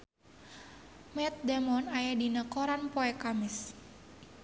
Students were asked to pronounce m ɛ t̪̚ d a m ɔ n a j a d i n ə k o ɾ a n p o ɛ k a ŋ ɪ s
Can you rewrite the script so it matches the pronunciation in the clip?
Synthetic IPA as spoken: m ɛ t̪̚ d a m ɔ n a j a d i n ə k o ɾ a n p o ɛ k a m ɪ s